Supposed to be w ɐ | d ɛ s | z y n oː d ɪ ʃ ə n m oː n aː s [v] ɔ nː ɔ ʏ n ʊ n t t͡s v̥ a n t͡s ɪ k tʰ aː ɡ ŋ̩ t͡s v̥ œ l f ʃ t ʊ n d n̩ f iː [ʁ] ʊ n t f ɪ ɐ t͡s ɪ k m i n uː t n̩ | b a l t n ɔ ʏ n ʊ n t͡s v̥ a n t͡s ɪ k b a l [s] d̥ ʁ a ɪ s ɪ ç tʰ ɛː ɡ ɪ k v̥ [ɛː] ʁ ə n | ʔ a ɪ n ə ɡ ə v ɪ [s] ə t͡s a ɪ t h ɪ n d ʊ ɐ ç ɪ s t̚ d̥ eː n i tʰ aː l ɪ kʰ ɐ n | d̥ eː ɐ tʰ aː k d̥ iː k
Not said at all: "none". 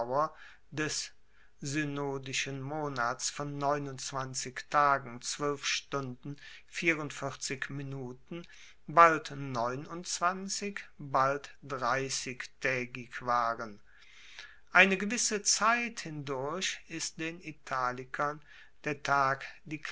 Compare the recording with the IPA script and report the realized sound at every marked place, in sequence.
f, ʁ, t, aː, s

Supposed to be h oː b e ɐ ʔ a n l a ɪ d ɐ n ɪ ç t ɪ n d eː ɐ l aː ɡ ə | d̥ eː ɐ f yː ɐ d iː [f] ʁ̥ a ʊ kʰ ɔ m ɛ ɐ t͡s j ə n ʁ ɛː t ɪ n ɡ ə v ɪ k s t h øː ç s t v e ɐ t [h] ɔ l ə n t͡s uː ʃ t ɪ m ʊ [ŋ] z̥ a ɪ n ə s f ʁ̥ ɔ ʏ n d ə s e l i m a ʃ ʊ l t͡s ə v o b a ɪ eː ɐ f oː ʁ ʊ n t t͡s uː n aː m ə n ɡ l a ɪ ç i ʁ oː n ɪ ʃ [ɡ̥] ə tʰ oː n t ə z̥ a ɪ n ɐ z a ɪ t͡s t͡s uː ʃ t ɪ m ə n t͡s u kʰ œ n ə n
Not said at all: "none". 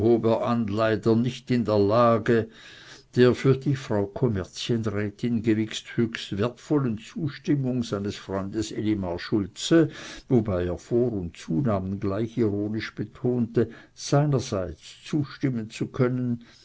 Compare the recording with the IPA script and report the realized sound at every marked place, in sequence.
f, f, ŋ, b̥

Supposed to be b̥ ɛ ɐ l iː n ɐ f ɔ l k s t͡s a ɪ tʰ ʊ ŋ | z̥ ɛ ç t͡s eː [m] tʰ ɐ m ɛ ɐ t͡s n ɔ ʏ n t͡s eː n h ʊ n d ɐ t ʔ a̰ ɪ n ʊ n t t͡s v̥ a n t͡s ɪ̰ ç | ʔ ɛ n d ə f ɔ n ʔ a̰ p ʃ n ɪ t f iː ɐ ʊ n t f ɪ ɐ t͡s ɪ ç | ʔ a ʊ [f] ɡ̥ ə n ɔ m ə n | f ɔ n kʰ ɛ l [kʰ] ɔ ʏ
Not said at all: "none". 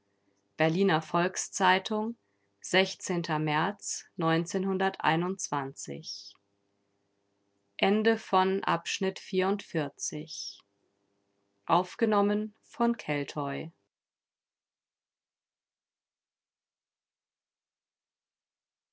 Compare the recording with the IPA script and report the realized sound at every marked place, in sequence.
n, f, tʰ

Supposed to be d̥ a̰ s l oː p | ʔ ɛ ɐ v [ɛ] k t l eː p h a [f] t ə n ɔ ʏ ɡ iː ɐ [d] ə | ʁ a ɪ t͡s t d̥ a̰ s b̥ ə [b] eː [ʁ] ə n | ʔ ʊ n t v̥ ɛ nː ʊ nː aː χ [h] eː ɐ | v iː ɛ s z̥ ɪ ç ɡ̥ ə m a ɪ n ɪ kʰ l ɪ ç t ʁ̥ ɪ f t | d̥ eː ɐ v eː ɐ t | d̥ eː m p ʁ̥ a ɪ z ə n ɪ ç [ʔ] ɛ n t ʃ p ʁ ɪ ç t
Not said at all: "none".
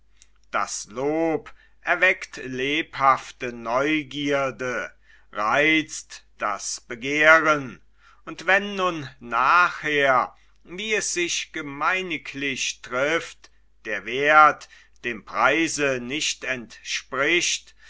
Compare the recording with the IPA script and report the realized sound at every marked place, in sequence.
ɛ, f, d, ɡ, ʁ, h, t

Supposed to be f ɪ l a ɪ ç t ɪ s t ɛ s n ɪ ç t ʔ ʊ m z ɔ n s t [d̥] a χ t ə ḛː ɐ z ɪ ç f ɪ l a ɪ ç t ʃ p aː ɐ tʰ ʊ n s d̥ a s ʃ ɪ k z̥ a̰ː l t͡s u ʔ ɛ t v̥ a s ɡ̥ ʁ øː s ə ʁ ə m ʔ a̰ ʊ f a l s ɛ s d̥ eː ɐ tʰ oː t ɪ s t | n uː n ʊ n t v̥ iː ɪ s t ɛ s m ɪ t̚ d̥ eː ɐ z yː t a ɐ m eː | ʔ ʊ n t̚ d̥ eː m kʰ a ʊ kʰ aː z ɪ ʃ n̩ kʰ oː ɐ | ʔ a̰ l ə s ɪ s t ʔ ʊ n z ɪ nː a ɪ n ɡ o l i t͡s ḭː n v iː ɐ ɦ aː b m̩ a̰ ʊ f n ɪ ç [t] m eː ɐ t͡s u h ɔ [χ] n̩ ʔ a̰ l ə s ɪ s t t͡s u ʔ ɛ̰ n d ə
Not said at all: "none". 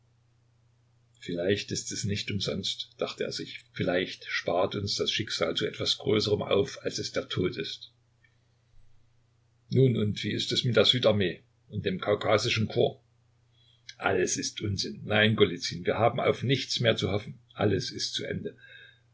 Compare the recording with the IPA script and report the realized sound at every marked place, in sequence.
d̥, t͡s, f

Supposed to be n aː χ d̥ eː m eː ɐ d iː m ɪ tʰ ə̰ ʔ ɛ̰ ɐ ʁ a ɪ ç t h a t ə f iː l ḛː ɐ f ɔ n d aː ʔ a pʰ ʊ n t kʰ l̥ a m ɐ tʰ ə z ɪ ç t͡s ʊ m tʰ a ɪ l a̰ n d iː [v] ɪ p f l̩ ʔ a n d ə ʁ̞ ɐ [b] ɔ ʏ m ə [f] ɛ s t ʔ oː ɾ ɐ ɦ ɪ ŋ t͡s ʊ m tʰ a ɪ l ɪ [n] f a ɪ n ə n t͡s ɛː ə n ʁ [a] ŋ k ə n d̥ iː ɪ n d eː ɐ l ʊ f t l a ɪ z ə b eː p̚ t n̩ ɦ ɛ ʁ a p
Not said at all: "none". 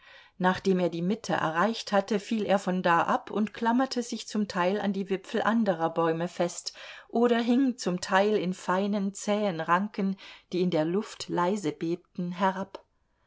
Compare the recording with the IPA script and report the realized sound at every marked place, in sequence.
v, b, f, n, a

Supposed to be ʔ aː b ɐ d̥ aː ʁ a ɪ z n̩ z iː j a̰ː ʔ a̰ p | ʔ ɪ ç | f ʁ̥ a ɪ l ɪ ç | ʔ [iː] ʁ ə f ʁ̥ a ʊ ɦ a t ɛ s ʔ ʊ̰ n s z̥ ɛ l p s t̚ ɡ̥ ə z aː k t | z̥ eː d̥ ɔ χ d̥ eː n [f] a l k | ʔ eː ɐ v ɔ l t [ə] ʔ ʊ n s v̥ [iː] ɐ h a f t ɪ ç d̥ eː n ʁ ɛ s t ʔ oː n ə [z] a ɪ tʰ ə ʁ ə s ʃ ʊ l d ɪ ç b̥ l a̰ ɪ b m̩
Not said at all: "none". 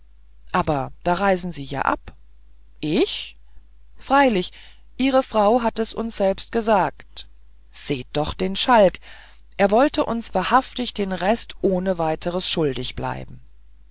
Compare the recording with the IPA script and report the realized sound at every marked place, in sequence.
iː, ʃ, ə, aː, v

